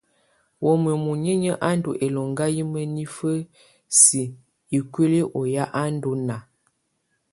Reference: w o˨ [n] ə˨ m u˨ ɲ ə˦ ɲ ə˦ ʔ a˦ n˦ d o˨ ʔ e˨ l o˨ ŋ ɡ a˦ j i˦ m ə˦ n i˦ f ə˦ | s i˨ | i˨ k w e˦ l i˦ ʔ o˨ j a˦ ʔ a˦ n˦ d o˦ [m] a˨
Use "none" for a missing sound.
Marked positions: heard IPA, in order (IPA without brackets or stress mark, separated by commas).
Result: m, n